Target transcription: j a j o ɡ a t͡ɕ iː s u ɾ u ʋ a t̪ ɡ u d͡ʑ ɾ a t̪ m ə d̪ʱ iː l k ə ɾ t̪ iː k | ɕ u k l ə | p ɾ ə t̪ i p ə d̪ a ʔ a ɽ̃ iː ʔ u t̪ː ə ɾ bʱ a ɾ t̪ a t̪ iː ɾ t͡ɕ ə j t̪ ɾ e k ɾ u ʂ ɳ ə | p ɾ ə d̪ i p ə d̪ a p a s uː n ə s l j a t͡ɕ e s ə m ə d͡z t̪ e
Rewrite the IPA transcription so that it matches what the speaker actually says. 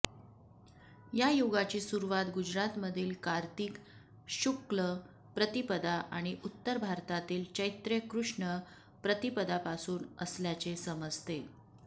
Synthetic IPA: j a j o ɡ a t͡ɕ iː s u ɾ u ʋ a t̪ ɡ u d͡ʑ ɾ a t̪ m ə d̪ʱ iː l k a ɾ t̪ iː k | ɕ u k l ə | p ɾ ə t̪ i p ə d̪ a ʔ a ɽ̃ i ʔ u t̪ː ə ɾ bʱ a ɾ t̪ a t̪ iː l t͡ɕ ə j t̪ ɾ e k ɾ u ʂ ɳ ə | p ɾ ə t̪ i p ə d̪ a p a s uː n ə s l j a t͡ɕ e s ə m ə d͡z t̪ e